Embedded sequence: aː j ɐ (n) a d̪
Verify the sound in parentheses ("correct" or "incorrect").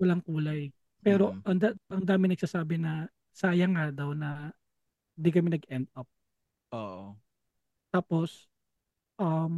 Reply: incorrect